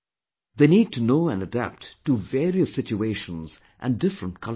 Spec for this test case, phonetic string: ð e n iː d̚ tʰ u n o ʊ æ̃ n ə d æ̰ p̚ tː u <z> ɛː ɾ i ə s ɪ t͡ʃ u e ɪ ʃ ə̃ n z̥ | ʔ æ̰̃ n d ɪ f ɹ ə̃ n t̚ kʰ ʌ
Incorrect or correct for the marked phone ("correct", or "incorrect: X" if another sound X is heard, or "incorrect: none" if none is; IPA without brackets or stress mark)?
incorrect: v